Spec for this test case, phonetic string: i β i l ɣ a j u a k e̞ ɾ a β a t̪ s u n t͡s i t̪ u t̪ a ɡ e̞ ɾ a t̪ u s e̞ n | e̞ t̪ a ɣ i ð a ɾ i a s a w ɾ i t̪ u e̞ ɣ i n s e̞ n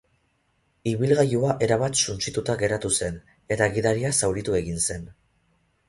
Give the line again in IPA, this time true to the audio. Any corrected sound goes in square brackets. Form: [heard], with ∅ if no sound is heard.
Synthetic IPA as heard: i β i l ɣ a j u a [ʔ] e̞ ɾ a β a t̪ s u n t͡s i t̪ u t̪ a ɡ e̞ ɾ a t̪ u s e̞ n | e̞ t̪ a ɣ i ð a ɾ i a s a w ɾ i t̪ u e̞ ɣ i n s e̞ n